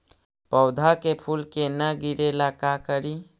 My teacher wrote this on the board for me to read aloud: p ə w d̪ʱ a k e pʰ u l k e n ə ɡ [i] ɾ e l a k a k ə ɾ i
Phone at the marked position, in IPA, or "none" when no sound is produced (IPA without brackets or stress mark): i